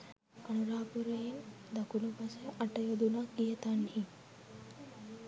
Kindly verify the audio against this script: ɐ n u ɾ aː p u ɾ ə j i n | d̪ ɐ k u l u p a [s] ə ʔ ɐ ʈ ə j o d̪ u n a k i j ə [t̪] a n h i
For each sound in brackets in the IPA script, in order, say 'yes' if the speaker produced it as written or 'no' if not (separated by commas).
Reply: yes, yes